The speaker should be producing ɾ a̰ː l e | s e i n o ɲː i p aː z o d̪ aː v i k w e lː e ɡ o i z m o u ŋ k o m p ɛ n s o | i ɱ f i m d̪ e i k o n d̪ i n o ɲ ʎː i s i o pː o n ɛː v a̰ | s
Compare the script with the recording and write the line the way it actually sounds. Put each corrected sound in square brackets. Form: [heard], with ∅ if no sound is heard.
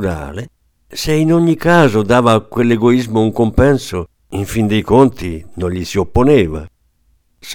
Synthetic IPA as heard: ɾ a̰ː l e | s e i n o ɲː i [k] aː z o d̪ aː v [a] k w e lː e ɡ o i z m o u ŋ k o m p ɛ n s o | i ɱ f i [n] d̪ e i k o n [t̪] i n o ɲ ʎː i s i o pː o n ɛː v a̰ | s